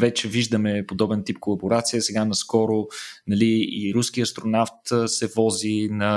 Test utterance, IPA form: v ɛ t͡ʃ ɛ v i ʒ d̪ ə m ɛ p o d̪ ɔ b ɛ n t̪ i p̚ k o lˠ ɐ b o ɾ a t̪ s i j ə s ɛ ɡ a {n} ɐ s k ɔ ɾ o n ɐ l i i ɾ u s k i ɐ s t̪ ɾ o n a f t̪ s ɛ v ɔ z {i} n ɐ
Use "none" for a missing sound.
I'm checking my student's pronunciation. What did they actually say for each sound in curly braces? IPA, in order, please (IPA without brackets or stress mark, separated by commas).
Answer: n, i